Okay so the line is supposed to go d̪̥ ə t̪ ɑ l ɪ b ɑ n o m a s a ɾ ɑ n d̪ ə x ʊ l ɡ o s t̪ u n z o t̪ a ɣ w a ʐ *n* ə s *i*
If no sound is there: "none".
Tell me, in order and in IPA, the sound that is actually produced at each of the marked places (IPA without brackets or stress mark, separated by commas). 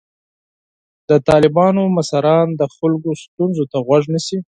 n, i